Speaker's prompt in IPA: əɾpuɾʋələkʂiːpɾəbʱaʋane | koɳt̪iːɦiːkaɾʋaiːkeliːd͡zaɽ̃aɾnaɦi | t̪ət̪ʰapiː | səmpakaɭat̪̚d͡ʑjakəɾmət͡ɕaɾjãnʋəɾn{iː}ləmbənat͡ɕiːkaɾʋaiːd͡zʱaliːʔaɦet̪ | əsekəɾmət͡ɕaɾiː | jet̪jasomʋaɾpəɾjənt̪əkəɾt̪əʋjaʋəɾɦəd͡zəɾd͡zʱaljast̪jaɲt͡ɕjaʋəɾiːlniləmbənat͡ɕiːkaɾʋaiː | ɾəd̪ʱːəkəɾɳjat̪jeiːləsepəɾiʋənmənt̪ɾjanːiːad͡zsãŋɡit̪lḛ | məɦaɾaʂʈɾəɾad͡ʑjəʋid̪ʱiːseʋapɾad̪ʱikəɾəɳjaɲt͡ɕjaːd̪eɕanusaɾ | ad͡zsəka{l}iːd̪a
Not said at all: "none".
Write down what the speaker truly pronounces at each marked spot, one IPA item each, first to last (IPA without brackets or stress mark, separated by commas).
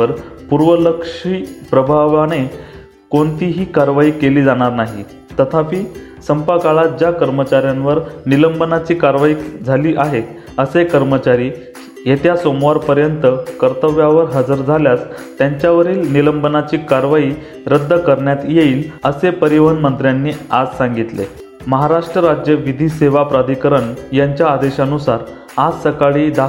i, ɭ